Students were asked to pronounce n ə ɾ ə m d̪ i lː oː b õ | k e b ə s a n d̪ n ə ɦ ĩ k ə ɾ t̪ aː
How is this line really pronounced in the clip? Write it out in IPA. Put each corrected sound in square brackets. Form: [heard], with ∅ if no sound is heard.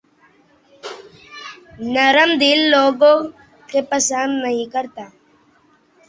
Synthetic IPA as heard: n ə ɾ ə m d̪ i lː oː [ɡ] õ | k e [p] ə s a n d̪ n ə ɦ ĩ k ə ɾ t̪ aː